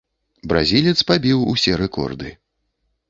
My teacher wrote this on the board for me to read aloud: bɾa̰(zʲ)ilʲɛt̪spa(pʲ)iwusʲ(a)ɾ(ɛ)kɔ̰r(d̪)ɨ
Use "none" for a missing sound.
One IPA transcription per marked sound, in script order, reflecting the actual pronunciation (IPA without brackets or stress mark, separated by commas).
zʲ, bʲ, ɛ, ɛ, d̪